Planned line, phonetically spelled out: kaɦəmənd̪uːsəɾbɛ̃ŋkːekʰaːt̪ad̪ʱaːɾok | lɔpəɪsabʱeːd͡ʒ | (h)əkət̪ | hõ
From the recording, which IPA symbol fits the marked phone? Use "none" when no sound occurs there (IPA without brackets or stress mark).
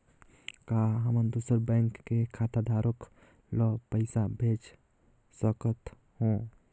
s